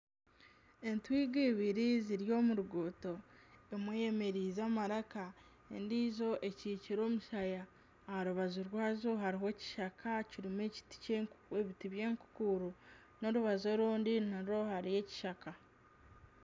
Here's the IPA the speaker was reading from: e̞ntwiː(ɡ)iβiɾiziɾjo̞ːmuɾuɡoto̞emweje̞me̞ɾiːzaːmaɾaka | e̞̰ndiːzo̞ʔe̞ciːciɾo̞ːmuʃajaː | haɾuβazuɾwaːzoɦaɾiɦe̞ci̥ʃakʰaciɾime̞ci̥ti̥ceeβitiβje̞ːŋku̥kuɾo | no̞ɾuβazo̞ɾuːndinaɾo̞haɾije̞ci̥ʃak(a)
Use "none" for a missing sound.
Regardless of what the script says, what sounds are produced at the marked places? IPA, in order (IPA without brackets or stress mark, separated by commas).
ɡ, a